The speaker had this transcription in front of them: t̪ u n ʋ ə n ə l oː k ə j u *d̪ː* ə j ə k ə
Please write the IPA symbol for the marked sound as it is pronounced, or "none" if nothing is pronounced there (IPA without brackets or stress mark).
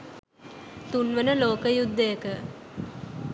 d̪ː